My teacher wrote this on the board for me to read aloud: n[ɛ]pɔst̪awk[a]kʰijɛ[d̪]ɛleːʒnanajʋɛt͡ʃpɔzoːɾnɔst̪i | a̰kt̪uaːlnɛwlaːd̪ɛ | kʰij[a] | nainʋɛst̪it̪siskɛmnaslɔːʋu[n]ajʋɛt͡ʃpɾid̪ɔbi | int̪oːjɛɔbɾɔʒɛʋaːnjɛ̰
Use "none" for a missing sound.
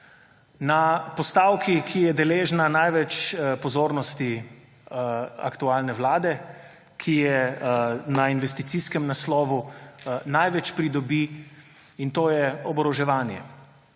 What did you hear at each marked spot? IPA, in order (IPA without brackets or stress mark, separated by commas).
a, i, d̪, ɛ, n